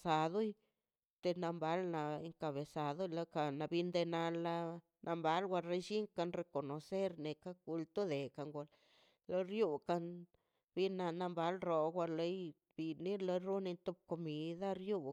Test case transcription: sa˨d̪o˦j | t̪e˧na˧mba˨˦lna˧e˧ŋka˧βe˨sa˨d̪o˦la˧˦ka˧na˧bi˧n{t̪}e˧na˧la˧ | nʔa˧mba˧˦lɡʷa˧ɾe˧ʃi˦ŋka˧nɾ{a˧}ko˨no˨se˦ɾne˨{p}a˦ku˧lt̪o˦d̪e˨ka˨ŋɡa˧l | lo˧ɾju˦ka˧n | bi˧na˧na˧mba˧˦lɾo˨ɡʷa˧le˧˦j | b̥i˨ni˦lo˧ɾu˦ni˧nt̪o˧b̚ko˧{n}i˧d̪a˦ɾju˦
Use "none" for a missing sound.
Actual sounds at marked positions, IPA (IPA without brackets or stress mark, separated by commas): d̪, e˧, k, m